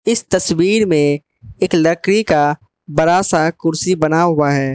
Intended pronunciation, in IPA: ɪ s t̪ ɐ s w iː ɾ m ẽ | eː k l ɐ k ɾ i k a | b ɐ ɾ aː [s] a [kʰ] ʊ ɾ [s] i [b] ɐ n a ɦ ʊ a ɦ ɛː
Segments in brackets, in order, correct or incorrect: correct, incorrect: k, correct, correct

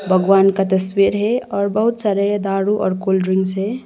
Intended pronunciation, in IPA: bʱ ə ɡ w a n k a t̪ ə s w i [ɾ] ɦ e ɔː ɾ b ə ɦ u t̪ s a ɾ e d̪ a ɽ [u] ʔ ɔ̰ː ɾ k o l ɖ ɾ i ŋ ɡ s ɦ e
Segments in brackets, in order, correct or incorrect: correct, correct

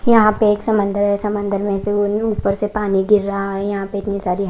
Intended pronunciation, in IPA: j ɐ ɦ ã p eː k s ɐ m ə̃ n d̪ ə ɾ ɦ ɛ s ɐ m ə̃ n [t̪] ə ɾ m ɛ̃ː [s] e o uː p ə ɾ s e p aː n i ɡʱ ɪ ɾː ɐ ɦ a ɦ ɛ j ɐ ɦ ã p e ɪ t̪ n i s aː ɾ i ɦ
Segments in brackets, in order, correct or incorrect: incorrect: d̪, correct

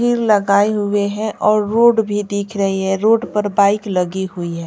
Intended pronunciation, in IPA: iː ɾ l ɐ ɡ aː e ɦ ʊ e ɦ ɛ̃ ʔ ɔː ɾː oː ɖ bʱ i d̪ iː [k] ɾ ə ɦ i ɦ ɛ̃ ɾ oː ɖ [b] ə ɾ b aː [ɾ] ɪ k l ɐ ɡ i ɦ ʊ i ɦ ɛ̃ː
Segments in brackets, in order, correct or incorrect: incorrect: kʰ, incorrect: p, incorrect: none

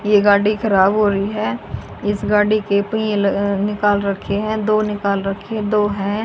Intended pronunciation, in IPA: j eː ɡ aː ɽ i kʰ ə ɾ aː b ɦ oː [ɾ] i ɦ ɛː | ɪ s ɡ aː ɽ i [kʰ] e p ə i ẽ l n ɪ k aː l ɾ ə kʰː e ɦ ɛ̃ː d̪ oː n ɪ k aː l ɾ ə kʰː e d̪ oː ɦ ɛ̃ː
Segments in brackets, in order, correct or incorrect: correct, incorrect: k

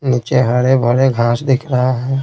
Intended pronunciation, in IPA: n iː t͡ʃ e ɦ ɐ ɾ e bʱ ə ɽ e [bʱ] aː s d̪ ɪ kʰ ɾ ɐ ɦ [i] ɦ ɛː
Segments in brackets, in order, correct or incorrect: incorrect: ɡʱ, incorrect: a

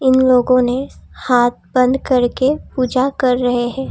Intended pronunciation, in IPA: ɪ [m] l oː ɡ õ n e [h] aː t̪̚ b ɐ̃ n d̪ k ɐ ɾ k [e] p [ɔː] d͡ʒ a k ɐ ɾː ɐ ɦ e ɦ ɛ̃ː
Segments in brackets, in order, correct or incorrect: incorrect: n, correct, correct, incorrect: uː

